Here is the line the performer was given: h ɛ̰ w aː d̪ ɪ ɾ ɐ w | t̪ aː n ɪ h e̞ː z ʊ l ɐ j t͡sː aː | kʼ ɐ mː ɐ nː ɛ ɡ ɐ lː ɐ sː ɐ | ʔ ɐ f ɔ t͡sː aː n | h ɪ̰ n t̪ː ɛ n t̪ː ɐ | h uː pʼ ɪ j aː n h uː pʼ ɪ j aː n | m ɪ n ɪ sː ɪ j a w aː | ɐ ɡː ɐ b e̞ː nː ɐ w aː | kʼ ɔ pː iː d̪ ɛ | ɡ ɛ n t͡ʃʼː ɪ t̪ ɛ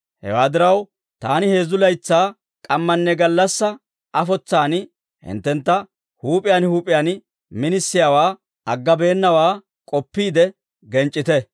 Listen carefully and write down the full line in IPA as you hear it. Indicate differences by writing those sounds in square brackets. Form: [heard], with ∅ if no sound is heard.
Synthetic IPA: h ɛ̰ w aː d̪ ɪ ɾ ɐ w | t̪ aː n ɪ h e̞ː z ʊ l ɐ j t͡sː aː | kʼ ɐ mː ɐ nː ɛ ɡ ɐ lː ɐ sː ɐ | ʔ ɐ f ɔ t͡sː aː n | h ɪ̰ n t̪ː ɛ n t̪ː ɐ | h uː pʼ ɪ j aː n h uː pʼ ɪ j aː n | m ɪ n ɪ sː ɪ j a w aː | ɐ ɡː ɐ b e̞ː nː ɐ w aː | kʼ ɔ pː iː d̪ ɛ | ɡ ɛ n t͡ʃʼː ɪ t̪ ɛ

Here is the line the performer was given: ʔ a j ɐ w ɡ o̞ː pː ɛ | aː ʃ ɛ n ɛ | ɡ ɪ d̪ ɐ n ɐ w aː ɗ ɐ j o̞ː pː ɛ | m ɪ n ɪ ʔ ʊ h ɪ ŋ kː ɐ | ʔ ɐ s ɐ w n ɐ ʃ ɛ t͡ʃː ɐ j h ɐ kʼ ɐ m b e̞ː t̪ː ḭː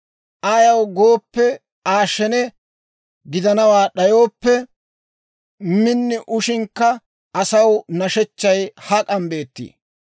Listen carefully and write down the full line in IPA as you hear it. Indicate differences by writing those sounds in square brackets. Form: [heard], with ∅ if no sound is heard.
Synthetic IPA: ʔ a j ɐ w ɡ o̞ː pː ɛ | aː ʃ ɛ n ɛ | ɡ ɪ d̪ ɐ n ɐ w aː ɗ ɐ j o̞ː pː ɛ | m ɪ [nː] ɪ ʔ ʊ [ʃ] ɪ ŋ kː ɐ | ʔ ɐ s ɐ w n ɐ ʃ ɛ t͡ʃː ɐ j h ɐ kʼ ɐ m b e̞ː t̪ː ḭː

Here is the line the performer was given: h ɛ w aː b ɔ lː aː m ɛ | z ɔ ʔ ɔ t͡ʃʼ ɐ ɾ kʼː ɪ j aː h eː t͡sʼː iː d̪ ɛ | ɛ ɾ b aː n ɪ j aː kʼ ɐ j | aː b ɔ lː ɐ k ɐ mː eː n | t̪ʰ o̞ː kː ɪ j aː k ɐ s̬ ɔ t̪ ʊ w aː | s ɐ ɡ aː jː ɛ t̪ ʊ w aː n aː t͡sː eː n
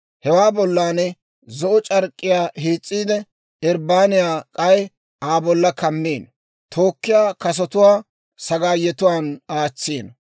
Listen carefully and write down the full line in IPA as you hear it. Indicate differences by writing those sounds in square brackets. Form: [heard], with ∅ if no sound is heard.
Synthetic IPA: h ɛ w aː b ɔ lː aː [n] ɛ | z ɔ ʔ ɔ t͡ʃʼ ɐ ɾ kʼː ɪ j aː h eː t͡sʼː iː d̪ ɛ | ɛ ɾ b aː n ɪ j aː kʼ ɐ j | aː b ɔ lː ɐ k ɐ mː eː n | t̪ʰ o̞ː kː ɪ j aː k ɐ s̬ ɔ t̪ ʊ w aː | s ɐ ɡ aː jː ɛ t̪ ʊ w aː n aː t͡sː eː n

